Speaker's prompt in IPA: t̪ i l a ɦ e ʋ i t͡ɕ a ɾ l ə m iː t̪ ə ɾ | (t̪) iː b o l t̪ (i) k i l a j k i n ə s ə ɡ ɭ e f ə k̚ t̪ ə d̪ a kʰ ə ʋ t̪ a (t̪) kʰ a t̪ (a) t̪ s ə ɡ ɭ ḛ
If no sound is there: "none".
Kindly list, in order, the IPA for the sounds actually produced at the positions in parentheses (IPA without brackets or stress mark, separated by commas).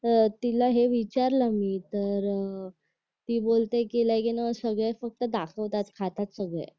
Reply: t̪, e, t̪, a